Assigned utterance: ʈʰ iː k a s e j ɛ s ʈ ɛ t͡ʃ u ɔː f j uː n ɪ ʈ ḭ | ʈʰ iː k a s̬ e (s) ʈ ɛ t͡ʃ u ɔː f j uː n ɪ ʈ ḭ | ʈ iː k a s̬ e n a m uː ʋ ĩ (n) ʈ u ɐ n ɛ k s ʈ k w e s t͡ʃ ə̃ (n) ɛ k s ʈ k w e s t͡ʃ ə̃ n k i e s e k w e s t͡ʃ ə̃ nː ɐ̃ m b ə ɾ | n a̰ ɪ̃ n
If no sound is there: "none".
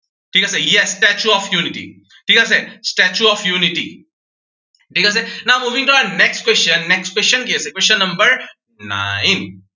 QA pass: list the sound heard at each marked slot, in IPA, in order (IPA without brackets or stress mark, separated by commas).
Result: s, ŋ, nː